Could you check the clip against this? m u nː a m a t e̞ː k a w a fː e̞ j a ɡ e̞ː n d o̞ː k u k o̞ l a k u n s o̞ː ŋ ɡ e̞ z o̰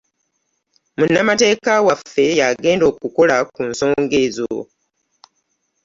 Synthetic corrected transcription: m u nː a m a t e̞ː k a w a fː e̞ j a ɡ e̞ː n d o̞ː k u k o̞ l a k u n s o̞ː ŋ ɡ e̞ z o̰